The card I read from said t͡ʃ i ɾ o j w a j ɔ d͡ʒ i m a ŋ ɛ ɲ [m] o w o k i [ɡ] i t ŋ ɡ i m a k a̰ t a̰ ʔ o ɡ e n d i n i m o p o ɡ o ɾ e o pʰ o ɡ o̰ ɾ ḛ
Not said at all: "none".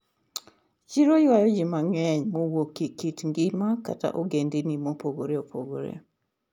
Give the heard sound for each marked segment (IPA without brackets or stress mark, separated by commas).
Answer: m, k